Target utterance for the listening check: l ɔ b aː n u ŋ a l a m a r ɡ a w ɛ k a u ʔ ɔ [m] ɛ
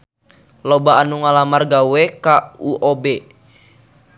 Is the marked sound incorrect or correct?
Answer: incorrect